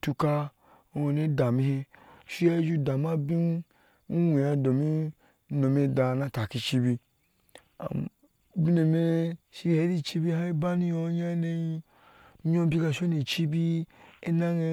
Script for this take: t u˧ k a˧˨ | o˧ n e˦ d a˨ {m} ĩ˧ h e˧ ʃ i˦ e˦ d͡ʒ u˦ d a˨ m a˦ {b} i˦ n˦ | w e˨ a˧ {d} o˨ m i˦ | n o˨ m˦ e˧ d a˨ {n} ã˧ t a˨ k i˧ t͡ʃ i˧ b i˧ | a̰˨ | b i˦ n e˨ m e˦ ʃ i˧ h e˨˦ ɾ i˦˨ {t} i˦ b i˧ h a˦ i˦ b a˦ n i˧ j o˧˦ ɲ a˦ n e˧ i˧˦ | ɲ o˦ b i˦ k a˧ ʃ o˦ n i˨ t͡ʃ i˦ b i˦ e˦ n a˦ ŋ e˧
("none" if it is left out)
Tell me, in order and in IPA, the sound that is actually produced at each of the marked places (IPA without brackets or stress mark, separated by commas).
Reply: m, b, d, n, t͡ʃ